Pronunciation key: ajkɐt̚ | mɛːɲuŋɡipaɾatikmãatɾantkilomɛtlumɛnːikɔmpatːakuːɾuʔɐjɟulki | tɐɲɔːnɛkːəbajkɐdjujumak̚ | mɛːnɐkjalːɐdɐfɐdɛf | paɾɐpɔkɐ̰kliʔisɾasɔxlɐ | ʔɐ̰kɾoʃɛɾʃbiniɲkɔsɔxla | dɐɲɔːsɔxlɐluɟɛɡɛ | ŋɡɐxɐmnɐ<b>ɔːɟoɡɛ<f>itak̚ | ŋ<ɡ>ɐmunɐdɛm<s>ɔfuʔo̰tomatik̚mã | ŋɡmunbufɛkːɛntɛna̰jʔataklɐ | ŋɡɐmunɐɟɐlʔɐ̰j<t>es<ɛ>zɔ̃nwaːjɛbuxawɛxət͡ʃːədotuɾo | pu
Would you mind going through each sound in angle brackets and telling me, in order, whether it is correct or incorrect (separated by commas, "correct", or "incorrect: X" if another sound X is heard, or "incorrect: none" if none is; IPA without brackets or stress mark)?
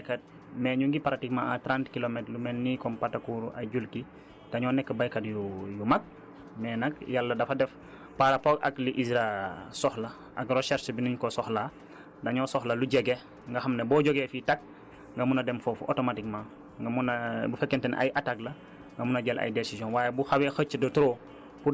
correct, correct, correct, incorrect: f, incorrect: d, incorrect: i